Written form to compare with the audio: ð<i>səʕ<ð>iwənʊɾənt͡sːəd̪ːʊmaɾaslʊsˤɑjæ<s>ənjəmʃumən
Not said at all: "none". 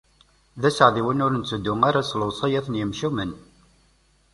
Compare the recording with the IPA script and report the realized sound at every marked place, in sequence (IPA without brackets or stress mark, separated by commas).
æ, ð, θ